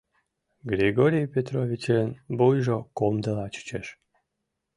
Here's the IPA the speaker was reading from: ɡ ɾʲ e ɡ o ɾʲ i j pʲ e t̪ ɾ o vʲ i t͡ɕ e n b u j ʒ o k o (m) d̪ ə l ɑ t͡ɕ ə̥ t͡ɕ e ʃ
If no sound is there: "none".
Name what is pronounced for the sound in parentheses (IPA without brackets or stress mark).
m